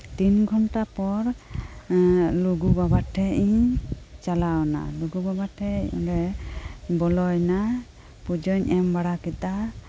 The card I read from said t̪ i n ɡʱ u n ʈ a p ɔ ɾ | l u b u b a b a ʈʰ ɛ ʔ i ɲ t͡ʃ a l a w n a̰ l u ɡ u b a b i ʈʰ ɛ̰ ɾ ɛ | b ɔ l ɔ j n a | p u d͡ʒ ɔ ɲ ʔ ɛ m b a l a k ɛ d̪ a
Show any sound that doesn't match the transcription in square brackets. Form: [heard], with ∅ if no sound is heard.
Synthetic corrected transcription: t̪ i n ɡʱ [ɔ] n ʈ a p ɔ ɾ | l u [ɡ] u b a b a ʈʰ ɛ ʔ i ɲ t͡ʃ a l a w n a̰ l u ɡ u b a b [a] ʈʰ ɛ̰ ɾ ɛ | b ɔ l ɔ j n a | p u d͡ʒ ɔ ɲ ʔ ɛ m b a [ɽ] a k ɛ [t̪] a